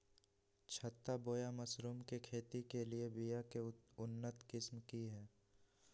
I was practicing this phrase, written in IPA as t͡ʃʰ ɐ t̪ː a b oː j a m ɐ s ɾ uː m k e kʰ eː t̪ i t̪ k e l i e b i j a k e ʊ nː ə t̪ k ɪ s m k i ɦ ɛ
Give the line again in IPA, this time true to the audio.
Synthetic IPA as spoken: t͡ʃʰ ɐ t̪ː a b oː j a m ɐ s ɾ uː m k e kʰ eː t̪ i k e l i e b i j a k e ʊ nː ə t̪ k ɪ s m k i ɦ ɛː